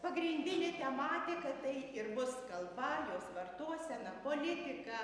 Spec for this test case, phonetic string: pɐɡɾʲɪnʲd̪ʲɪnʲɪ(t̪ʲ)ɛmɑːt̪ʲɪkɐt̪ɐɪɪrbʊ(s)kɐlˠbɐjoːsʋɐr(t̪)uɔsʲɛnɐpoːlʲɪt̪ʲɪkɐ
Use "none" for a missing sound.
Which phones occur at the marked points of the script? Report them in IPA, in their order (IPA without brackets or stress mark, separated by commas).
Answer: t̪ʲ, s, t̪